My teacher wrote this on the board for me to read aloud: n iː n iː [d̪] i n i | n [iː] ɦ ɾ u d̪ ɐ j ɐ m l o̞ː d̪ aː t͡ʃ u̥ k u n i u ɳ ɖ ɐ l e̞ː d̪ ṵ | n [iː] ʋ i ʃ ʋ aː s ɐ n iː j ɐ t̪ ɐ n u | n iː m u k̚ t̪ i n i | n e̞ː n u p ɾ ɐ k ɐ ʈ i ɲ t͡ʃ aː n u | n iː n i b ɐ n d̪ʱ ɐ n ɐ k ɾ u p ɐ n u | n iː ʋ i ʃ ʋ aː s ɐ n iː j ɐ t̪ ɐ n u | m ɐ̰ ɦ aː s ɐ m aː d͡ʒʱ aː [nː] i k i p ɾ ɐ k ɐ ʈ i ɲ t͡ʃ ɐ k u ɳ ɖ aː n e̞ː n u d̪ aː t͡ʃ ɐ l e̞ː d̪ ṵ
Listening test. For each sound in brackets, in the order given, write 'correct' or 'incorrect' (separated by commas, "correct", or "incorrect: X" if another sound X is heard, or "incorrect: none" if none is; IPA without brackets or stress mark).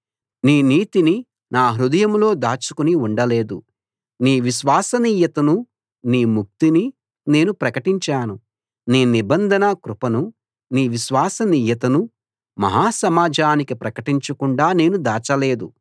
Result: incorrect: t̪, incorrect: aː, correct, incorrect: n